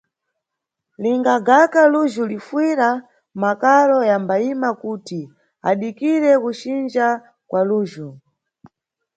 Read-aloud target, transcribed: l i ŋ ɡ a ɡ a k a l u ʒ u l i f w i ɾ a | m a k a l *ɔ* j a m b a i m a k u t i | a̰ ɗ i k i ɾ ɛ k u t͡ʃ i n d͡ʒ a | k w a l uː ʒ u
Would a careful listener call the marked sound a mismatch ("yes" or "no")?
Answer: no